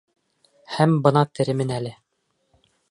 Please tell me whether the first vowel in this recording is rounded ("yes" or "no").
no